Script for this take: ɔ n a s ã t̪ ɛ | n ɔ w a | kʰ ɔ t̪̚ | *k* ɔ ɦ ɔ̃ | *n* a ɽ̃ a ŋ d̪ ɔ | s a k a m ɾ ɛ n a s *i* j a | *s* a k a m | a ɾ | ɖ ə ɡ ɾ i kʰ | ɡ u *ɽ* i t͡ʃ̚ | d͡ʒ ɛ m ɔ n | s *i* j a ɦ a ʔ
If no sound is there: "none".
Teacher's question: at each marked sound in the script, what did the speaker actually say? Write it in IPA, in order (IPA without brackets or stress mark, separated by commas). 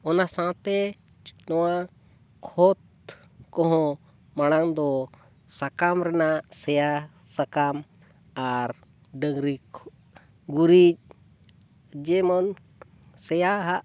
k, m, ɛ, s, ɾ, ɛ